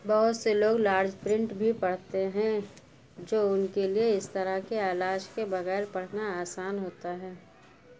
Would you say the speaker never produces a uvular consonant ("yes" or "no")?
yes